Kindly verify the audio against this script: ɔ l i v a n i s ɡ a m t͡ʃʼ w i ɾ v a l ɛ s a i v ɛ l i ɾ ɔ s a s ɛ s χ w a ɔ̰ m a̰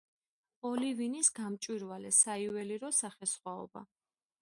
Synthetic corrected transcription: ɔ l i v i n i s ɡ a m t͡ʃʼ w i ɾ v a l ɛ s a i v ɛ l i ɾ ɔ s a χ ɛ s χ w a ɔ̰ b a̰